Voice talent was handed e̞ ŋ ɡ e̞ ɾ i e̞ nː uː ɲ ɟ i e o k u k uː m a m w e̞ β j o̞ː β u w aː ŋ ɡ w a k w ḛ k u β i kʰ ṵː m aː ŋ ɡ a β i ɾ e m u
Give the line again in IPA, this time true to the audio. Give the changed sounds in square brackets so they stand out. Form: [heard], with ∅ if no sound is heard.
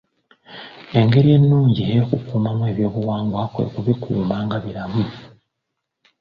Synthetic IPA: e̞ ŋ ɡ e̞ ɾ i e̞ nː uː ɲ ɟ i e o k u k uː m a m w e̞ β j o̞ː β u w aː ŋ ɡ w a k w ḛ k u β i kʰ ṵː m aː ŋ ɡ a β i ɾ [a] m u